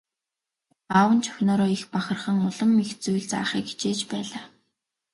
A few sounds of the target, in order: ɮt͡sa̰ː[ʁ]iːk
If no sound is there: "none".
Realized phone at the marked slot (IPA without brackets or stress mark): χ